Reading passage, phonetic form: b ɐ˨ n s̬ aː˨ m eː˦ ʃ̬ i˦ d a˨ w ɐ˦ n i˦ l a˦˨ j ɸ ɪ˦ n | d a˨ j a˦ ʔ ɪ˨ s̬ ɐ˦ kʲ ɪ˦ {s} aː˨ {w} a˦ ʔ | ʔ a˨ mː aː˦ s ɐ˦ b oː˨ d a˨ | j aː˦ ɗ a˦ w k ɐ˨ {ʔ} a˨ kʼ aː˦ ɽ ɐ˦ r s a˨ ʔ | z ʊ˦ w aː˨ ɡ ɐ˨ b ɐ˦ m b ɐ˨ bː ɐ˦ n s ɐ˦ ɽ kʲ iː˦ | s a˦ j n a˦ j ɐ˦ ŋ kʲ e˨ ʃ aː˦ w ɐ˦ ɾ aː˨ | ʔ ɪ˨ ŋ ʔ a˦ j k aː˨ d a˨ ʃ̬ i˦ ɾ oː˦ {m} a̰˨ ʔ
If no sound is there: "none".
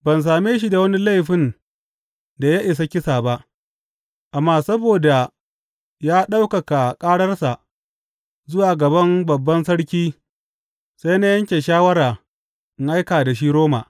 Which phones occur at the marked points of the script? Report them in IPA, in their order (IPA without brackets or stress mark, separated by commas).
s, b, k, m